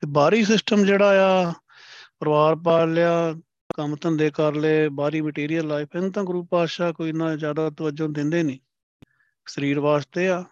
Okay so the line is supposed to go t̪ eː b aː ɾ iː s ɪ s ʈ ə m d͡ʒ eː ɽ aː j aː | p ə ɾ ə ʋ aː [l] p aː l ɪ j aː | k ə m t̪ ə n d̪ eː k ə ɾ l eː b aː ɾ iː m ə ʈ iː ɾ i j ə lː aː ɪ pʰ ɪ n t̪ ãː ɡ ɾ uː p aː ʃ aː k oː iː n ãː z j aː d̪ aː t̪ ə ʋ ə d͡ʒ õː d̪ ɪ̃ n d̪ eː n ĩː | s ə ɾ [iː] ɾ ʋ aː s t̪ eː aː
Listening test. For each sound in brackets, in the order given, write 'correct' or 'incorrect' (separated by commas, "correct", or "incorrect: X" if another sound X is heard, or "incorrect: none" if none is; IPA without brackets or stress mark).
incorrect: ɾ, correct